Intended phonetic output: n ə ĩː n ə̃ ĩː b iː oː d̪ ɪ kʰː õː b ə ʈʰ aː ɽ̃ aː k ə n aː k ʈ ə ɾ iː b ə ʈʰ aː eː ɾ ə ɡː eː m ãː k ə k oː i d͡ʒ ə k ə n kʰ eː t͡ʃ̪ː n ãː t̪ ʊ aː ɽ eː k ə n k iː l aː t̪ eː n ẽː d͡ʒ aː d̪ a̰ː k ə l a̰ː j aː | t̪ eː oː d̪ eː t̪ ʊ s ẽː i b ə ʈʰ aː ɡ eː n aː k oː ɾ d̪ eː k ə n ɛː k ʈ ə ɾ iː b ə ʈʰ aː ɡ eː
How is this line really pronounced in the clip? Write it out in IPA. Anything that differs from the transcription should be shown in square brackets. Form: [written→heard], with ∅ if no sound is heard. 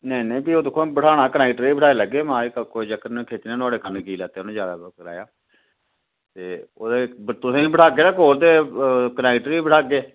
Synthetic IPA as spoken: n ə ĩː n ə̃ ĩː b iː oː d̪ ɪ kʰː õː b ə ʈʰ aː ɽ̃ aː k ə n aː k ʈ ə ɾ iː b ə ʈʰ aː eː [ɾ→l] ə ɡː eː m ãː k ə k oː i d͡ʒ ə k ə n kʰ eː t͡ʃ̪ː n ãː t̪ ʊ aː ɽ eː k ə n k iː l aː t̪ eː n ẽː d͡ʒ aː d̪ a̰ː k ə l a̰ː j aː | t̪ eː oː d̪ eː t̪ ʊ s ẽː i b ə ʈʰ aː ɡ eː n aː k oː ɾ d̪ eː k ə n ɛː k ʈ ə ɾ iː b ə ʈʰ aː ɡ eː